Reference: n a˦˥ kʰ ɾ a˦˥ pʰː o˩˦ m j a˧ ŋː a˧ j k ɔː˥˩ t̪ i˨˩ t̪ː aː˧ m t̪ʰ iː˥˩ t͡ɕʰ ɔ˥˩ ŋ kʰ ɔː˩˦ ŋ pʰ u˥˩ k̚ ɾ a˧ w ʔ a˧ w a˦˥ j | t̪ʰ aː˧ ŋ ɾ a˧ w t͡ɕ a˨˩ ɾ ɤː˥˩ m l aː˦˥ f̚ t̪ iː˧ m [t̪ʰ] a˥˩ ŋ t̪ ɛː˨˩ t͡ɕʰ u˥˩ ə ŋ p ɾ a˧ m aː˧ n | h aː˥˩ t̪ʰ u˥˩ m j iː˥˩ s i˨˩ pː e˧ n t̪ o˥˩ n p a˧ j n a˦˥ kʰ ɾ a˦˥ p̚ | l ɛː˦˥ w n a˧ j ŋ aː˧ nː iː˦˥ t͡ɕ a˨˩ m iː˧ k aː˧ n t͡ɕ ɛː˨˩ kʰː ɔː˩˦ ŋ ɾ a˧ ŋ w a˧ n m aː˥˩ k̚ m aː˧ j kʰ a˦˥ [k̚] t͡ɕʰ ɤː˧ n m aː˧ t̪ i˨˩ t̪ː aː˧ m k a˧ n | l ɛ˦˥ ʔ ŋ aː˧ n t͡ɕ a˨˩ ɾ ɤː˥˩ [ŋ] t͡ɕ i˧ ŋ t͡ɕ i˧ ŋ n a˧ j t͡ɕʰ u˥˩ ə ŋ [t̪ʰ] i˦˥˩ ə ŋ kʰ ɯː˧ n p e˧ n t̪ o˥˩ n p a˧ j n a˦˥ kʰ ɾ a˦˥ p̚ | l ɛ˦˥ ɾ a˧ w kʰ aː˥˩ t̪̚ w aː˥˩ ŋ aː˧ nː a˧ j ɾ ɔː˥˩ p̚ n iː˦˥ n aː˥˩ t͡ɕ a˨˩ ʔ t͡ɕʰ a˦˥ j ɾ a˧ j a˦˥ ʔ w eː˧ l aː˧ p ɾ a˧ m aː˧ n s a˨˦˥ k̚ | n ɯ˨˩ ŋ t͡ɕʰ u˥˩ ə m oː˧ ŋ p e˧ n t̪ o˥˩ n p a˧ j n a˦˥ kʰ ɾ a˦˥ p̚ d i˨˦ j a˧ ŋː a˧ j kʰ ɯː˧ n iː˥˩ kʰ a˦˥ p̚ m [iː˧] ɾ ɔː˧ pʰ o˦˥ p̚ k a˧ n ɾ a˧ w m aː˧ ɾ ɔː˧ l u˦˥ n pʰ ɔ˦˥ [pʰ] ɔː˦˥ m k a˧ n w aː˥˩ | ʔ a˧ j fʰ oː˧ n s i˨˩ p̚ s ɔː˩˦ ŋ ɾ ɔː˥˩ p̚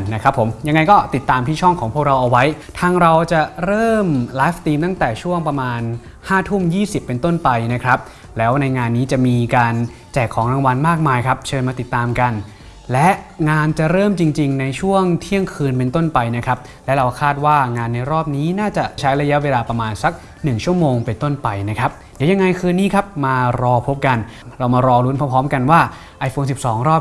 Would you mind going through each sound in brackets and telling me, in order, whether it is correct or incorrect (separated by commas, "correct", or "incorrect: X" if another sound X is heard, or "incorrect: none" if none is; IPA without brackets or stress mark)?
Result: incorrect: t̪, incorrect: p̚, incorrect: m, correct, incorrect: aː˧, correct